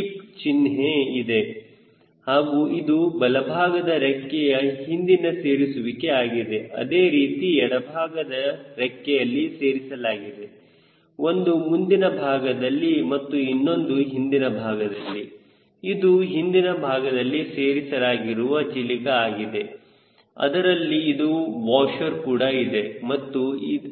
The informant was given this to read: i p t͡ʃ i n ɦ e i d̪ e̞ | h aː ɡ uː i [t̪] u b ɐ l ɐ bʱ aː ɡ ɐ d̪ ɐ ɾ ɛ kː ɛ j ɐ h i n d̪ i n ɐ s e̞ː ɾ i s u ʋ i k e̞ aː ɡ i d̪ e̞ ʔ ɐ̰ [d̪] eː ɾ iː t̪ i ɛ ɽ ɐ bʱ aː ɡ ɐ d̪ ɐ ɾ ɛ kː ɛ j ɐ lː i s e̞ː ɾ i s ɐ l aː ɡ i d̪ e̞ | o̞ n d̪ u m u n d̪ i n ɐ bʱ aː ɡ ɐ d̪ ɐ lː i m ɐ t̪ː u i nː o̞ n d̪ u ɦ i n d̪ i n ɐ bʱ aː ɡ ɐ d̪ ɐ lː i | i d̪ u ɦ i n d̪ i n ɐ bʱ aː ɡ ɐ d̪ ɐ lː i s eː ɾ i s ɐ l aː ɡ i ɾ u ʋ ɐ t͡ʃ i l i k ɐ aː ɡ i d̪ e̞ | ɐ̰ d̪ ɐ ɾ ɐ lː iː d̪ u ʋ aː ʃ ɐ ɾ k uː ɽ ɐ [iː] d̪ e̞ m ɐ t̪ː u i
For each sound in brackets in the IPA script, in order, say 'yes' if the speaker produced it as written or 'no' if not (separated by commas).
no, yes, no